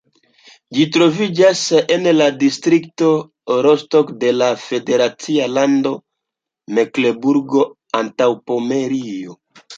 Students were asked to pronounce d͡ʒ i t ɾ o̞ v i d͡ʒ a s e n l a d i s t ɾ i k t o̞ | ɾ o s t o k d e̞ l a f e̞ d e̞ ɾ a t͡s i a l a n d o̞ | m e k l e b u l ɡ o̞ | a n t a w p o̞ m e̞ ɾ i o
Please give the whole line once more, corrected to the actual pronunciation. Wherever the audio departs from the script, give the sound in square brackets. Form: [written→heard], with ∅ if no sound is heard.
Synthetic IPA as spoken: d͡ʒ i t ɾ o̞ v i d͡ʒ a s e n l a d i s t ɾ i k t o̞ | ɾ o s t o k d e̞ l a f e̞ d e̞ ɾ a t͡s i a l a n d o̞ | m e k l e b u [l→ɾ] ɡ o̞ | a n t a w p o̞ m e̞ ɾ i o